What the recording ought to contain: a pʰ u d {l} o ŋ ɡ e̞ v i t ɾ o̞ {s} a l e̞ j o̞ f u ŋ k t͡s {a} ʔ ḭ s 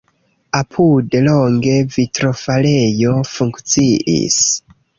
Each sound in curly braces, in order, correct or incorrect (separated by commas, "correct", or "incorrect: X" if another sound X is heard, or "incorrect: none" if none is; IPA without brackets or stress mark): correct, incorrect: f, incorrect: i